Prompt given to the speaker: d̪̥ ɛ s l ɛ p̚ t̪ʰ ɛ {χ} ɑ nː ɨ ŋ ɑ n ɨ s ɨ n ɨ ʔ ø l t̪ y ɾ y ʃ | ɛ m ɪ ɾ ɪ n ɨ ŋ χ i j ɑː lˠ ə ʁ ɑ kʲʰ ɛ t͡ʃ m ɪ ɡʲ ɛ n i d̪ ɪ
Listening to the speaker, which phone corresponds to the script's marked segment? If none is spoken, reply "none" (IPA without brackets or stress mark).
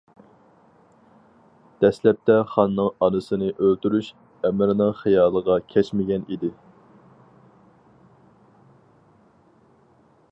χ